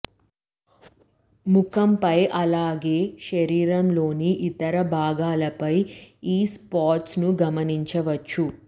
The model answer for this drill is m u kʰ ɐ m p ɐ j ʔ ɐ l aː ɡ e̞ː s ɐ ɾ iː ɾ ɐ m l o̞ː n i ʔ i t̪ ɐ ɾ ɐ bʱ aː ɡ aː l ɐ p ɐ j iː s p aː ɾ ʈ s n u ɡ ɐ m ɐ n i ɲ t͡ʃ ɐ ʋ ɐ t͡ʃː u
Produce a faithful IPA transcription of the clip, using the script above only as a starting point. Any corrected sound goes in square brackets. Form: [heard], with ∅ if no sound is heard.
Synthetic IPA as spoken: m u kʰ ɐ m p ɐ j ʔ ɐ l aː ɡ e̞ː [ʃ] ɐ ɾ iː ɾ ɐ m l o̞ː n i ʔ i t̪ ɐ ɾ ɐ bʱ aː ɡ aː l ɐ p ɐ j iː s p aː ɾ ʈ s n u ɡ ɐ m ɐ n i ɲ t͡ʃ ɐ ʋ ɐ t͡ʃː u